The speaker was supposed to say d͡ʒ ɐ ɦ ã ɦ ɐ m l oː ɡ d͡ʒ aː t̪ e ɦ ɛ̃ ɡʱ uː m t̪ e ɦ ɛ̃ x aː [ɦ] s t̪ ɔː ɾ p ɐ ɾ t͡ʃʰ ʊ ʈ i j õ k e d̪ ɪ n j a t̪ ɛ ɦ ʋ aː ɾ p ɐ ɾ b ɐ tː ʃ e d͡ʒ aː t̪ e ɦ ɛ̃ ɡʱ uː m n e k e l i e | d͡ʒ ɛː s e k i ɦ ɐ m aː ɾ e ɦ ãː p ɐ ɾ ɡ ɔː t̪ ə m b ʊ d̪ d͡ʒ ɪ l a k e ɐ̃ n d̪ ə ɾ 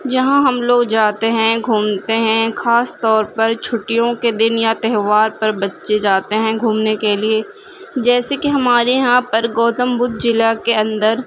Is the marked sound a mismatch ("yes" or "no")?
yes